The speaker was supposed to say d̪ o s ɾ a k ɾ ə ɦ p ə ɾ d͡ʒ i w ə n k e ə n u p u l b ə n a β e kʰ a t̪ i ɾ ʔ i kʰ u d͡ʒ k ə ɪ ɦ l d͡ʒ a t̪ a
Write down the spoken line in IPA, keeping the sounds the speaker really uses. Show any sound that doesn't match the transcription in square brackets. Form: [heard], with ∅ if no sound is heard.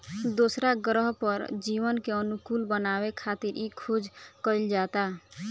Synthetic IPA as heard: d̪ o s ɾ a [ɡ] ɾ ə ɦ p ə ɾ d͡ʒ i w ə n k e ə n u [k] u l b ə n a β e kʰ a t̪ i ɾ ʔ i kʰ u d͡ʒ k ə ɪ [∅] l d͡ʒ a t̪ a